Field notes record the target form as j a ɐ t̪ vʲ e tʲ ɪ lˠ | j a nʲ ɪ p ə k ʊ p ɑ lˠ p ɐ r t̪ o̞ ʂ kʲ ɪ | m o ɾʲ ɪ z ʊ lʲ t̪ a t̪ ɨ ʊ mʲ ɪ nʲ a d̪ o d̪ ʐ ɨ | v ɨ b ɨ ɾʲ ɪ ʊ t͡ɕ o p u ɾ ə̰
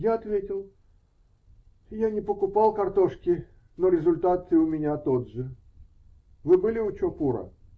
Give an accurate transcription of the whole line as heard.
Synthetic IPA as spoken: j a ɐ t̪ vʲ e tʲ ɪ lˠ | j a nʲ ɪ p ə k ʊ p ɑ lˠ k ɐ r t̪ o̞ ʂ kʲ ɪ | n o ɾʲ ɪ z ʊ lʲ t̪ a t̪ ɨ ʊ mʲ ɪ nʲ a t̪ o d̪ ʐ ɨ | v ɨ b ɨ lʲ ɪ ʊ t͡ɕ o p u ɾ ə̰